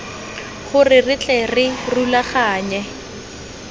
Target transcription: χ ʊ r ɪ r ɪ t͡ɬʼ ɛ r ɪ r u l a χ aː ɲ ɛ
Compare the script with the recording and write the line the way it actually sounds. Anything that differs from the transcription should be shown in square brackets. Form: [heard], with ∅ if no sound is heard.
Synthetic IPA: χ ʊ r ɪ r ɪ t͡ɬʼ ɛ r ɪ r u l a χ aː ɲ ɛ